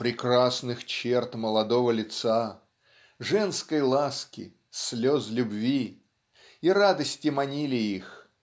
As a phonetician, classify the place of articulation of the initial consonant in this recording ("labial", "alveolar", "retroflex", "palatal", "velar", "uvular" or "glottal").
labial